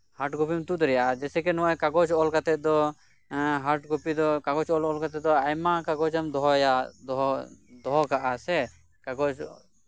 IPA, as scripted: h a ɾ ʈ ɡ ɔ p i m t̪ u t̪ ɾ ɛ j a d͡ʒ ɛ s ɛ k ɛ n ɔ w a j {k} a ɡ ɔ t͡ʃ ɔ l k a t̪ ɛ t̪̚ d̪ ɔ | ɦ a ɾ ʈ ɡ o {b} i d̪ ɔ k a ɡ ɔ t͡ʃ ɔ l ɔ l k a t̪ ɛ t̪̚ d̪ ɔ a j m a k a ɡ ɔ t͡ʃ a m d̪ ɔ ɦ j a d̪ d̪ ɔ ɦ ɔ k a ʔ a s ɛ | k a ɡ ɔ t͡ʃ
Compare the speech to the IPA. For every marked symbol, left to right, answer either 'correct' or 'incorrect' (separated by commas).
correct, incorrect